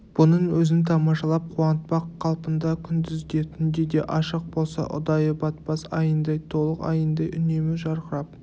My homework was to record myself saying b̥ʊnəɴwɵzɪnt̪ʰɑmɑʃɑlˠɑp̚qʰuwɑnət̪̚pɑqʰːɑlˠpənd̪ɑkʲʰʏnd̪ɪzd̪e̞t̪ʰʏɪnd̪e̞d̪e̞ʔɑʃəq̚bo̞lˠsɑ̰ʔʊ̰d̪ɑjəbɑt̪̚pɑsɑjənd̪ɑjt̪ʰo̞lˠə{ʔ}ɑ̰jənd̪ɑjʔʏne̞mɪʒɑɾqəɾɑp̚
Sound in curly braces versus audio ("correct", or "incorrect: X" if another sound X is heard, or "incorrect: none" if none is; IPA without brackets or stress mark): incorrect: q